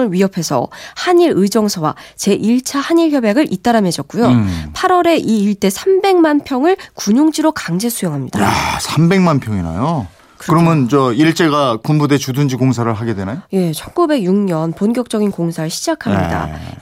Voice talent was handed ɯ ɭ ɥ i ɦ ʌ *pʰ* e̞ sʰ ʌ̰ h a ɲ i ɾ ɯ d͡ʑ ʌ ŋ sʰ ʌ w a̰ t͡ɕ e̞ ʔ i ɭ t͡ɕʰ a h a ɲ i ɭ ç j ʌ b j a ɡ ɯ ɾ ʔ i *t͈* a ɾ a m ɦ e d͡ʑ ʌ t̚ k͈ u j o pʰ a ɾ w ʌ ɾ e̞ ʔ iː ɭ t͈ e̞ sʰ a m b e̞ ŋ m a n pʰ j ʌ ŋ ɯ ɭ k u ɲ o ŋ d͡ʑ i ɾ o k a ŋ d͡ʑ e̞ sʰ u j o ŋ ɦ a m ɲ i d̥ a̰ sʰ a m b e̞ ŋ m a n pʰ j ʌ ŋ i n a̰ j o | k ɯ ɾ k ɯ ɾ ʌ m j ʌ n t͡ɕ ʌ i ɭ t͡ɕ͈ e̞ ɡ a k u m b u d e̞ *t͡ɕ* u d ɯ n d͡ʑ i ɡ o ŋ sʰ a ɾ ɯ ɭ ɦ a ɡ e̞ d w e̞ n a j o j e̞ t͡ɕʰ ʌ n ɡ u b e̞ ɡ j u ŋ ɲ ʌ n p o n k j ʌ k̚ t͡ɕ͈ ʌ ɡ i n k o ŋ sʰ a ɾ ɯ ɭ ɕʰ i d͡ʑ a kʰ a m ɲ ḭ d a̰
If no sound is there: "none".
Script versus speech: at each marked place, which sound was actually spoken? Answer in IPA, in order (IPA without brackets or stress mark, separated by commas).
pʰ, t͈, t͡ɕ